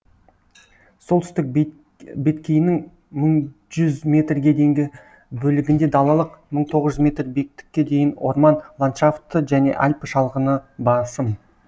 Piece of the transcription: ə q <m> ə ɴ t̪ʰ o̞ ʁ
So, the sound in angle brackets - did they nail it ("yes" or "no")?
yes